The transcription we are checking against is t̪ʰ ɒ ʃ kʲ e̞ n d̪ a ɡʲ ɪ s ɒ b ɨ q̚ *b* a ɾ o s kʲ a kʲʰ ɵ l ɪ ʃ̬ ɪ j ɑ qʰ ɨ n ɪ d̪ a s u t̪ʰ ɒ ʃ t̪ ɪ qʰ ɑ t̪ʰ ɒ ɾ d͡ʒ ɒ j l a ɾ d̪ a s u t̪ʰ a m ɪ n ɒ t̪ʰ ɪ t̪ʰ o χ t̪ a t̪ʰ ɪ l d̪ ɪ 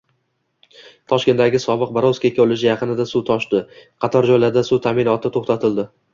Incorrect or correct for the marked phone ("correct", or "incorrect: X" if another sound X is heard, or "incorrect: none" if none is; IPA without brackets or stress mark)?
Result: correct